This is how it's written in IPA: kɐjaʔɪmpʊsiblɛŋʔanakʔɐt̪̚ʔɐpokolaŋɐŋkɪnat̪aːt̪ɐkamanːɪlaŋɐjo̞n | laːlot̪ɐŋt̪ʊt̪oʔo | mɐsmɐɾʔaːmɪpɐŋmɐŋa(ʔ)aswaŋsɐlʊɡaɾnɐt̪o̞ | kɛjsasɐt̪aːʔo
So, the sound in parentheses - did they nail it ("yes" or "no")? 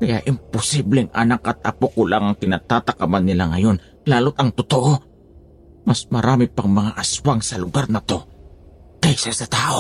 yes